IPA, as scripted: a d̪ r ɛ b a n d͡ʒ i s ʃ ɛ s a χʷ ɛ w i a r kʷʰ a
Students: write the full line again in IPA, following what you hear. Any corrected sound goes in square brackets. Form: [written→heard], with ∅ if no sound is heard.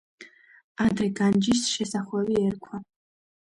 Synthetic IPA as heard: a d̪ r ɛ [b→ɡ] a n d͡ʒ i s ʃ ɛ s a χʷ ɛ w i [a→ɛ] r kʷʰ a